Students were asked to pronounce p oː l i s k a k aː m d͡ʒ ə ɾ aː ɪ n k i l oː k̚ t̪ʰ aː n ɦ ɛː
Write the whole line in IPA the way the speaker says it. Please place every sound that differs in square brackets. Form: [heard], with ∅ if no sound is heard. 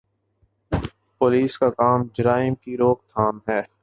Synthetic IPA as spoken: p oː l [iː] s k a k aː m d͡ʒ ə ɾ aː ɪ [m] k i [ɾ] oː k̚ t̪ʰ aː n ɦ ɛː